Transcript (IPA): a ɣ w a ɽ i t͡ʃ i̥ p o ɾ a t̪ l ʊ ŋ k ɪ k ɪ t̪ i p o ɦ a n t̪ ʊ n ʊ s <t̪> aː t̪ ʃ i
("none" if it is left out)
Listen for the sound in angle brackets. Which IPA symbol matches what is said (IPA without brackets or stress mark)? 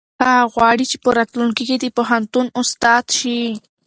t̪